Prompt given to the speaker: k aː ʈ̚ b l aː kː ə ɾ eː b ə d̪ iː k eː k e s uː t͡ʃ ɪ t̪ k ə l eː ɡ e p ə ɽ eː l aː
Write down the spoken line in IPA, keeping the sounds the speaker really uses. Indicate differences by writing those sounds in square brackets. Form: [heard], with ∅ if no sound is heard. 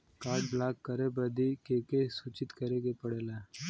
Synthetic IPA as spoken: k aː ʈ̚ b l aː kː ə ɾ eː b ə d̪ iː k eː k e s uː t͡ʃ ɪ t̪ k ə [ɾ] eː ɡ e p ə ɽ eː l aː